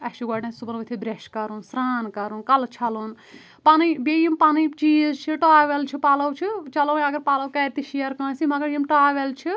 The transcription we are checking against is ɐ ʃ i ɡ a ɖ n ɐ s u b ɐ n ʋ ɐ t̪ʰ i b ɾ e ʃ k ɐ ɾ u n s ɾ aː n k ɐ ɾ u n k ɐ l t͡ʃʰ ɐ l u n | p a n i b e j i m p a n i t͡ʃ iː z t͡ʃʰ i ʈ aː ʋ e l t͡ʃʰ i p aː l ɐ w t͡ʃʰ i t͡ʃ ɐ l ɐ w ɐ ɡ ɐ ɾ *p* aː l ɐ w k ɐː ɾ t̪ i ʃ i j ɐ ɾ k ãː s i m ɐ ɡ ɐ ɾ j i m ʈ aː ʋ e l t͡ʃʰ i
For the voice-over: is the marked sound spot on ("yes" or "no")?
yes